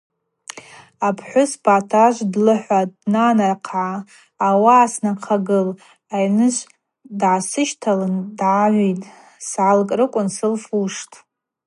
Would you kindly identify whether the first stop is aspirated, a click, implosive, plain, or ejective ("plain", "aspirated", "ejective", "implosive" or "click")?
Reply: aspirated